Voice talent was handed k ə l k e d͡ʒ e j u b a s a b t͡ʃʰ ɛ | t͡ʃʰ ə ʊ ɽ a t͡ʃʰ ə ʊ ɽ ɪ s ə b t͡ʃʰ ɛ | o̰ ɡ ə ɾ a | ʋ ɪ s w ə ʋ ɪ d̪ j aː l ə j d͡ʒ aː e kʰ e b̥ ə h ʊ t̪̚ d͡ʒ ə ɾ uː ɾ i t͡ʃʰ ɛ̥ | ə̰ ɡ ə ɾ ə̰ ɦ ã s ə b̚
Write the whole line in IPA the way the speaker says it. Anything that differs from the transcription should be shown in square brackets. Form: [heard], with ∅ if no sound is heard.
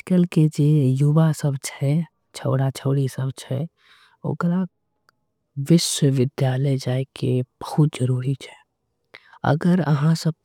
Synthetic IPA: k ə l k e d͡ʒ e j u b a s [ə] b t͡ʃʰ ɛ | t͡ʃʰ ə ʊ ɽ a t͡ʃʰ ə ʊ ɽ [i] s ə b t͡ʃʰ ɛ | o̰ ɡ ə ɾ a | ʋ ɪ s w ə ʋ ɪ d̪ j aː l ə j d͡ʒ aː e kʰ e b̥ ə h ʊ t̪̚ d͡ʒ ə ɾ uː ɾ i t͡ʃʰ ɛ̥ | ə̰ ɡ ə ɾ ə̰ ɦ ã s ə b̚